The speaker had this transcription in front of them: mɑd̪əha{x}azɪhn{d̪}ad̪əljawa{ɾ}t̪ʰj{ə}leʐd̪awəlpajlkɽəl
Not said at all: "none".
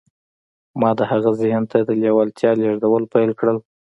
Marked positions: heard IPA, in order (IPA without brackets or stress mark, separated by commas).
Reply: ɣ, t̪, l, ɑ